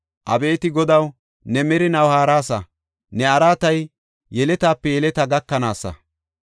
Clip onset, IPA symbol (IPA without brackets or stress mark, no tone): ʔ